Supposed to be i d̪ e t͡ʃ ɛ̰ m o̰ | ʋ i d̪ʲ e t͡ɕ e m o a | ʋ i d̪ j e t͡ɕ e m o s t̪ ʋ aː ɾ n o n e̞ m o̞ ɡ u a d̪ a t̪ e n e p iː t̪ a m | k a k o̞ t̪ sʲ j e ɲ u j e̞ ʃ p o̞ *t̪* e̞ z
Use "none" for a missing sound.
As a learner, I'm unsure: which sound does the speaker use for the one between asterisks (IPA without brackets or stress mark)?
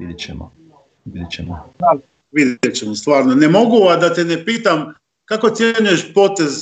t̪